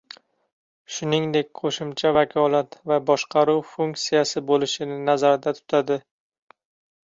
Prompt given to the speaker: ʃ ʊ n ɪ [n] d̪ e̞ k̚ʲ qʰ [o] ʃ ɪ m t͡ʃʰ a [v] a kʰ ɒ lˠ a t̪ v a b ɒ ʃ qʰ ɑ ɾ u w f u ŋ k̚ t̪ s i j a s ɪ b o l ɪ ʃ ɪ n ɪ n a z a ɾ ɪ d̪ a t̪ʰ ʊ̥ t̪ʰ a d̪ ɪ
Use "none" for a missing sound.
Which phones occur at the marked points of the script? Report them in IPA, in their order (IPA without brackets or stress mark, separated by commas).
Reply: ŋ, o, v